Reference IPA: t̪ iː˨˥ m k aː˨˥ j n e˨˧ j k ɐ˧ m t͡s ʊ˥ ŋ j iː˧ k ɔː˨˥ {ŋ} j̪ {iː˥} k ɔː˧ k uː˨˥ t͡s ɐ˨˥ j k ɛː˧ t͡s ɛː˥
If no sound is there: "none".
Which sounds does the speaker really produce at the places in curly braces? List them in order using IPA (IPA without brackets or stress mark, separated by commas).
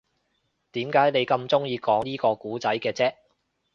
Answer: ŋ, iː˥